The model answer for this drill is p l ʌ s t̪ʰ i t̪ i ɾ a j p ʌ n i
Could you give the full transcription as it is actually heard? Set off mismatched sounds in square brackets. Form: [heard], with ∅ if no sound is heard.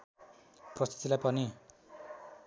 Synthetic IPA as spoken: p [r] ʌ s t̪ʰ i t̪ i [l] a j p ʌ n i